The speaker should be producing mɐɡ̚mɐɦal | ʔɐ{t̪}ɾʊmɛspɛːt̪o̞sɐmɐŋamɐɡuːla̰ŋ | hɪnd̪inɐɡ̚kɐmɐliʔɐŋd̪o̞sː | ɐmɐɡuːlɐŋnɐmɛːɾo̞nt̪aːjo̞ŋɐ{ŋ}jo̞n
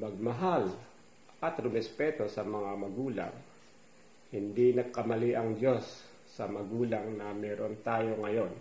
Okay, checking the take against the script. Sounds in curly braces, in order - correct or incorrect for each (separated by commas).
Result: correct, incorrect